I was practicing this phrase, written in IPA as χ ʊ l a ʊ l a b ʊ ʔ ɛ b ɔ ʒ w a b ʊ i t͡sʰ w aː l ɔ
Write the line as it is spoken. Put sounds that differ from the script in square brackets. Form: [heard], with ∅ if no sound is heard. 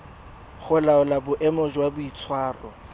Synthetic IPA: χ ʊ l a ʊ l a b ʊ ʔ ɛ [m] ɔ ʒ w a b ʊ i t͡sʰ w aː [r] ɔ